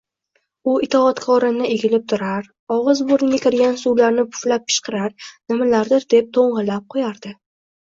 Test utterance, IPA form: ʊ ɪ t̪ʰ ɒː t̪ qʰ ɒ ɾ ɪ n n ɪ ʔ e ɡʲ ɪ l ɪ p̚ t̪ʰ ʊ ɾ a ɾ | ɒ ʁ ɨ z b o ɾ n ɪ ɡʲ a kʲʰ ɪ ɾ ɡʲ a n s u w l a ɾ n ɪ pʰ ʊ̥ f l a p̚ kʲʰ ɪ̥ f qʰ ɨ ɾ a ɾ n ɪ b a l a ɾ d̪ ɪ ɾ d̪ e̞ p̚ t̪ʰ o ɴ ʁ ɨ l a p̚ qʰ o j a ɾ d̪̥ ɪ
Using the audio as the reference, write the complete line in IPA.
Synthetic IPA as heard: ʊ ɪ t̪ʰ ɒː t̪ kʰ ɒ ɾ ɪ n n ɪ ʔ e ɡʲ ɪ l ɪ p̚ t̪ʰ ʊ ɾ a ɾ | ɒ ʁ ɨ z b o ɾ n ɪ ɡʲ a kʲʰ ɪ ɾ ɡʲ a n s u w l a ɾ n ɪ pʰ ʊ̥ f l a p̚ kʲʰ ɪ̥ ʃ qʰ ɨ ɾ a ɾ n ɪ m a l a ɾ d̪ ɪ ɾ d̪ e̞ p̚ t̪ʰ o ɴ ʁ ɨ l a p̚ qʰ o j a ɾ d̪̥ ɪ